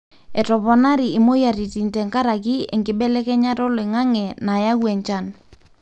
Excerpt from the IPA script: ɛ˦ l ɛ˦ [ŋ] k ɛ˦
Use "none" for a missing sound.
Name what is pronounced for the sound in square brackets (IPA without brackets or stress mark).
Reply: none